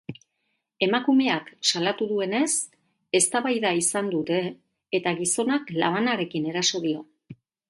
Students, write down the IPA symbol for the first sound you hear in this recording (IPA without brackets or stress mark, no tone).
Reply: e̞